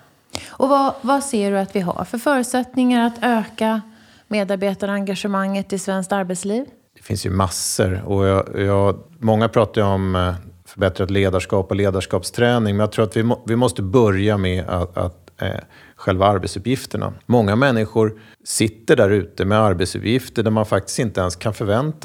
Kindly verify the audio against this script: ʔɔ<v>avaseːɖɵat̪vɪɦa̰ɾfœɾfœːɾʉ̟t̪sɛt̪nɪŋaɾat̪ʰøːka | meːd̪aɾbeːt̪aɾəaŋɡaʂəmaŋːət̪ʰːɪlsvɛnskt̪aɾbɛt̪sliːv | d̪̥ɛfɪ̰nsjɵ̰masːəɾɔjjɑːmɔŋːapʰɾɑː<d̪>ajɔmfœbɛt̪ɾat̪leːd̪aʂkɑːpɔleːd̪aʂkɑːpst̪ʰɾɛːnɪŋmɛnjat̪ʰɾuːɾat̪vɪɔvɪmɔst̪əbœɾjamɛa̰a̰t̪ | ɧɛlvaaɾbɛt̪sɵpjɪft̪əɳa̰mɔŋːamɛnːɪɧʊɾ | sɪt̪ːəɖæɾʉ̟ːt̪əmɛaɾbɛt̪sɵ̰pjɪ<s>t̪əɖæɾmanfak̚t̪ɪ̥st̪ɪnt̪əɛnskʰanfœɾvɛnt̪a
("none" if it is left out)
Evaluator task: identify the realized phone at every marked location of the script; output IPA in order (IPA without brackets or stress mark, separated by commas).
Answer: v, t̪, f